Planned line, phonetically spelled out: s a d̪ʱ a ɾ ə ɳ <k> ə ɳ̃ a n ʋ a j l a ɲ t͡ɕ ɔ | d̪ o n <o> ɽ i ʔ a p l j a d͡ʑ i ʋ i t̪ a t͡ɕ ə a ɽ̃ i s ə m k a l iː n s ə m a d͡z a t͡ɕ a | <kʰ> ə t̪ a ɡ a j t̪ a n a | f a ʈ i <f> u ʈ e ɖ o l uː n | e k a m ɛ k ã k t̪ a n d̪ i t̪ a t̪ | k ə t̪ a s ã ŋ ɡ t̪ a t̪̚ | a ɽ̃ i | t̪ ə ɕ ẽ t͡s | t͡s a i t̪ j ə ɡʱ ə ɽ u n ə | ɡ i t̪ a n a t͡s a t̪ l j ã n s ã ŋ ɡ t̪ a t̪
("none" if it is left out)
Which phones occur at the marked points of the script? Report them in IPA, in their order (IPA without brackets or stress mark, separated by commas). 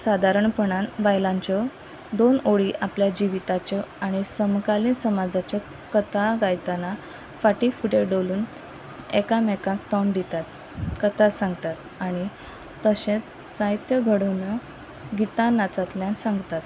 p, o, k, f